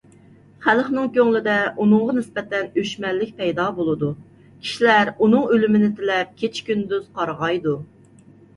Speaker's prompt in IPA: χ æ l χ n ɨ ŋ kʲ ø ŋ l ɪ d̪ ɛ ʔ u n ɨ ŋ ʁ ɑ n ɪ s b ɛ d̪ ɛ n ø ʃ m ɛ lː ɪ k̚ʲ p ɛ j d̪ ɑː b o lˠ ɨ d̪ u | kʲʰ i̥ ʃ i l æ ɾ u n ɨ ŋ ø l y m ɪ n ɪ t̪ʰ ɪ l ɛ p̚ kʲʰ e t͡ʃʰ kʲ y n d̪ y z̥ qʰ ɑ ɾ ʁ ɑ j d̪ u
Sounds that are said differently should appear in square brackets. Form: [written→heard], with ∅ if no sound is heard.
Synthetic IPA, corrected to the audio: χ æ l χ n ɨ ŋ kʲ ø ŋ l ɪ d̪ ɛ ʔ u n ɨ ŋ ʁ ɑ n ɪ s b ɛ [d̪→t̪] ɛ n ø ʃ m ɛ lː ɪ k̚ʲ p ɛ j d̪ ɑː b o lˠ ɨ d̪ u | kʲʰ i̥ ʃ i l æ ɾ u n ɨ ŋ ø l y m ɪ n ɪ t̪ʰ ɪ l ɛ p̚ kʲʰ e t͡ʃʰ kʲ y n d̪ y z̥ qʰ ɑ ɾ ʁ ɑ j d̪ u